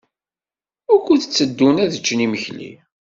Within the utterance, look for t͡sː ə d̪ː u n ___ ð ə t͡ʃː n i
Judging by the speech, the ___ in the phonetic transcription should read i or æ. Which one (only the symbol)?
æ